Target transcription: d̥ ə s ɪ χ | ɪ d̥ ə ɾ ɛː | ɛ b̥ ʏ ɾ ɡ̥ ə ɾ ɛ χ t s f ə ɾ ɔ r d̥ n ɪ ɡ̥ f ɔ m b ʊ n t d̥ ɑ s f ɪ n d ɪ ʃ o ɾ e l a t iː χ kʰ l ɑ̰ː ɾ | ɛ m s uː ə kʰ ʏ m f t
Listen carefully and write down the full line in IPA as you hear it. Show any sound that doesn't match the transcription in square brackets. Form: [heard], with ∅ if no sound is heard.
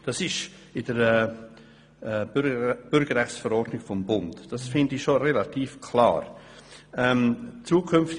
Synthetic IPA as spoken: d̥ [ɑ] s ɪ [ʃ] | ɪ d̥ ə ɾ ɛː | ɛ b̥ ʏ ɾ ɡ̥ ə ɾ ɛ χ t s f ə ɾ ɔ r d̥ n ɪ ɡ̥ f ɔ m b ʊ n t d̥ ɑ s f ɪ n d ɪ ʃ o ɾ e l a t iː [f] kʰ l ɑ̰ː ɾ | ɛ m [t͡s] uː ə kʰ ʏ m f t